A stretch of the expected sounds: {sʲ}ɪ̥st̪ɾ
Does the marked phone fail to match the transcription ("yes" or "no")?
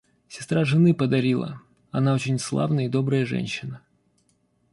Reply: no